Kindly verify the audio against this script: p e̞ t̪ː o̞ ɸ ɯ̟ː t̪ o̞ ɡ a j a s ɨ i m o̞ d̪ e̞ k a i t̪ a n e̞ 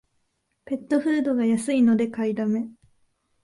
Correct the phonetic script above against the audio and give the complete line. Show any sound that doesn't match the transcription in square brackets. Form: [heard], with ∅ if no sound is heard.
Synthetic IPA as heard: p e̞ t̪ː o̞ ɸ ɯ̟ː [d̪] o̞ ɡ a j a s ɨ i [n] o̞ d̪ e̞ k a i [d̪] a [m] e̞